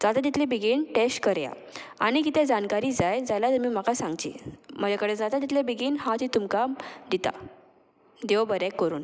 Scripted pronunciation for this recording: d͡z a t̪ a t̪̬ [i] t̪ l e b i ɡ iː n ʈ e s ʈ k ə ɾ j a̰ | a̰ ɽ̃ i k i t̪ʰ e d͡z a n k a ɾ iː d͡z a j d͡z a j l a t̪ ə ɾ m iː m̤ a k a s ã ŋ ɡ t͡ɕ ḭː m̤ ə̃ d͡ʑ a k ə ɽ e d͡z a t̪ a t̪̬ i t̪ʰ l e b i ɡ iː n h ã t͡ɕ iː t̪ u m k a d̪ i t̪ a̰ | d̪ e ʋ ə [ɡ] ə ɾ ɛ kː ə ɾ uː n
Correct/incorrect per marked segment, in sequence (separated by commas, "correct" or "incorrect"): correct, incorrect